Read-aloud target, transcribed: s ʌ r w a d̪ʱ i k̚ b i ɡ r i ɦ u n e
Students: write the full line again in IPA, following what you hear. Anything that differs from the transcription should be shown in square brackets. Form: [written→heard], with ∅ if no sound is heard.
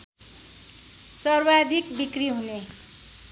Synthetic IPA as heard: s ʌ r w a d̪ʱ i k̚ b i [ɡ→k] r i ɦ u n e